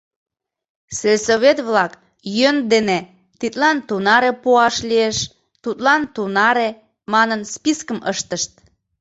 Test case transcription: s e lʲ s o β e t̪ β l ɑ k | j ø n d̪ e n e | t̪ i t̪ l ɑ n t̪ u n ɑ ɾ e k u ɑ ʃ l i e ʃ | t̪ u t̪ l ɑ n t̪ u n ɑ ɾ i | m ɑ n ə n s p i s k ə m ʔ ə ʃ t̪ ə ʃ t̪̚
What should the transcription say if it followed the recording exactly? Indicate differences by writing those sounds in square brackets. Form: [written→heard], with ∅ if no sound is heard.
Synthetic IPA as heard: s e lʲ s o β e t̪ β l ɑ k | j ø n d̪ e n e | t̪ i t̪ l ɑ n t̪ u n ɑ ɾ e [k→p] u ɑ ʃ l i e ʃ | t̪ u t̪ l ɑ n t̪ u n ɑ ɾ [i→e] | m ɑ n ə n s p i s k ə m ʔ ə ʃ t̪ ə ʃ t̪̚